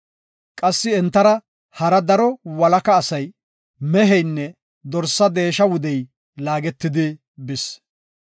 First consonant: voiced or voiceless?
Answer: voiceless